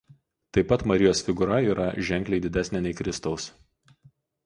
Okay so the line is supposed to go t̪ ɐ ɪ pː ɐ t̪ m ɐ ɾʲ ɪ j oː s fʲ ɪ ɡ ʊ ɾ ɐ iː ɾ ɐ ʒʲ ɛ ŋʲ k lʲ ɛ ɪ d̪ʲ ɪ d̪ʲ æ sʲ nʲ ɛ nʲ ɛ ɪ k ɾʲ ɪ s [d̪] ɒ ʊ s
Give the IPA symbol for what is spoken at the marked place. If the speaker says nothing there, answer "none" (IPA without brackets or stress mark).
t̪